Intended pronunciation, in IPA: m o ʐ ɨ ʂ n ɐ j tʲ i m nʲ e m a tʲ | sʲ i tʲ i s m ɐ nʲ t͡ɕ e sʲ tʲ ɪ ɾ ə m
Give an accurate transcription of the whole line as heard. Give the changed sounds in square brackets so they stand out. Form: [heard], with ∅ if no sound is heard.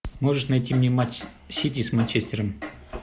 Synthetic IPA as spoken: m o ʐ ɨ ʂ n ɐ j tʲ i m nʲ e m a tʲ | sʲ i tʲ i s m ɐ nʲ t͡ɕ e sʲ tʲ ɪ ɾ ə m